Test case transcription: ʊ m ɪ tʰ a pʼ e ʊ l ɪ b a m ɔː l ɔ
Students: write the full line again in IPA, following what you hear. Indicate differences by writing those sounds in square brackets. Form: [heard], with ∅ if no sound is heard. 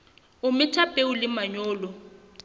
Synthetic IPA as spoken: ʊ m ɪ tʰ a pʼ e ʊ l ɪ [m] a [ɲ] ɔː l ɔ